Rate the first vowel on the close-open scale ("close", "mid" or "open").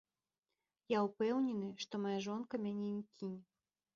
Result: open